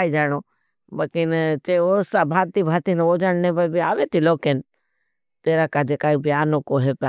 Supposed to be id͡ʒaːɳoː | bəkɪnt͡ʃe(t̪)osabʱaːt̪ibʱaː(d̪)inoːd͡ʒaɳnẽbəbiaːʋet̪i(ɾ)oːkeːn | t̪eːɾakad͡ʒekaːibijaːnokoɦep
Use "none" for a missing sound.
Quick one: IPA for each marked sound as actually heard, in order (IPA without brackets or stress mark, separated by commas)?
none, t̪, l